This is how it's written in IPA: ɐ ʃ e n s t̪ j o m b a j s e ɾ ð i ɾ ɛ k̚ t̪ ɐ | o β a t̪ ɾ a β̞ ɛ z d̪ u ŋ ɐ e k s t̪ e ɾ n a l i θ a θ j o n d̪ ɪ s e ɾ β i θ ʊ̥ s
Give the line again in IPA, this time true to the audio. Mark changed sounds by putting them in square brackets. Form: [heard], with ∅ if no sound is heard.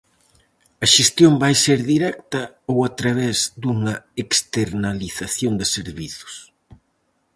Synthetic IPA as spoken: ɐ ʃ e [∅] s t̪ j o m b a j s e ɾ ð i ɾ ɛ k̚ t̪ ɐ | o [w] a t̪ ɾ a β̞ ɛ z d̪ u ŋ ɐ e k s t̪ e ɾ n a l i θ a θ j o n d̪ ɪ s e ɾ β i θ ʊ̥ s